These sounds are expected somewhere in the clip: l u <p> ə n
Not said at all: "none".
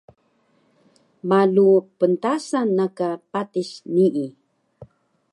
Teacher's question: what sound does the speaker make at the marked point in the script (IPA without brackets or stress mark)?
p